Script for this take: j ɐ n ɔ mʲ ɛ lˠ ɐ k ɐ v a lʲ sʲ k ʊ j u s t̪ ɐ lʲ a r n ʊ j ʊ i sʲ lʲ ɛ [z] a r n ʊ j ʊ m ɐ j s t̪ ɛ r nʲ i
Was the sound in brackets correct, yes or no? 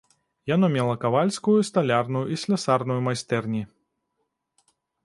no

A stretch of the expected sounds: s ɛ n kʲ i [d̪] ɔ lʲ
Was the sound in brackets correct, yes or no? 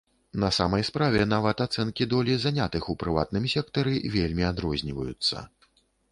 yes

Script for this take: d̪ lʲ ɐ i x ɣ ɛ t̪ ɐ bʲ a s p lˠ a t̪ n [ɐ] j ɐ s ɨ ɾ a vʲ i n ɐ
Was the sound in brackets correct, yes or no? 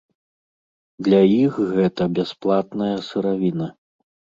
yes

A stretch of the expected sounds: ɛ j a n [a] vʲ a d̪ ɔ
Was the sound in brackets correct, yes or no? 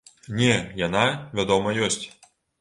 yes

